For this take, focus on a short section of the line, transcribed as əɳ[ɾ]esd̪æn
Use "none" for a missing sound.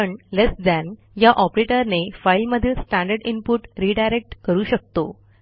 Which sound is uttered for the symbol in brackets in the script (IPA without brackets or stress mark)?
l